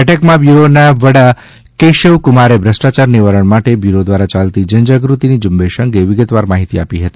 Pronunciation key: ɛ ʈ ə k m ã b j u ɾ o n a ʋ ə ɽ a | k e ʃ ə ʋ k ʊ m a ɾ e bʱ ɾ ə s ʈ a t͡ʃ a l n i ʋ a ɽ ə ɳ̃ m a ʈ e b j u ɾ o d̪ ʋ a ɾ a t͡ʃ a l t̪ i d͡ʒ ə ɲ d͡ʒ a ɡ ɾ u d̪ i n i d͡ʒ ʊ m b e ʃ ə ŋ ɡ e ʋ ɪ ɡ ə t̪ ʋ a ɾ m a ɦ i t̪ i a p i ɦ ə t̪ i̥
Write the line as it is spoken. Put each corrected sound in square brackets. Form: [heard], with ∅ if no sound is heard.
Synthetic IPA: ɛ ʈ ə k m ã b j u ɾ o n a ʋ ə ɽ a | k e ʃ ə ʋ k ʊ m a ɾ e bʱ ɾ ə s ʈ a t͡ʃ a [ɾ] n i ʋ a [ɾ] ə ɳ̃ m a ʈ e b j u ɾ o d̪ ʋ a ɾ a t͡ʃ a l t̪ i d͡ʒ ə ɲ d͡ʒ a ɡ ɾ u [t̪] i n i d͡ʒ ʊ m b e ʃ ə ŋ ɡ e ʋ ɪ ɡ ə t̪ ʋ a ɾ m a ɦ i t̪ i a p i ɦ ə t̪ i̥